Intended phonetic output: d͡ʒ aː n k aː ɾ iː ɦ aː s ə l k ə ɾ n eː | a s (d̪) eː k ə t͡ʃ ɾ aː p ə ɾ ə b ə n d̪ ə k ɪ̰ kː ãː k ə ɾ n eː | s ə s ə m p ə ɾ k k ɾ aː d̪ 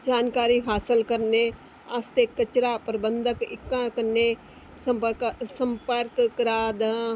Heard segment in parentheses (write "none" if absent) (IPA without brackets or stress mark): t̪